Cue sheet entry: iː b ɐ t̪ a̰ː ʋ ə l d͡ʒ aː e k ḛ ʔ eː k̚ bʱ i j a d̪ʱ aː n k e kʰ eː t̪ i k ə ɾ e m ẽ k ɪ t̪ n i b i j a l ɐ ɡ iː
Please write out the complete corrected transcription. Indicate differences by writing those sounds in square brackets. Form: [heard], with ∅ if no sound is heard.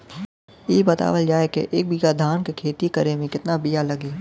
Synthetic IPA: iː b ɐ t̪ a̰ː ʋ ə l d͡ʒ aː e k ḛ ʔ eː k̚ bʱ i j a d̪ʱ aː n k e kʰ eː t̪ i k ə ɾ e m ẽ k ɪ t̪ n [a] b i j a l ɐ ɡ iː